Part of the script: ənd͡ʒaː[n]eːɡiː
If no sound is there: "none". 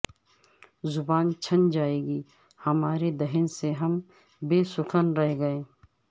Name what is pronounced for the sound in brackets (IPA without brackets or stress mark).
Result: none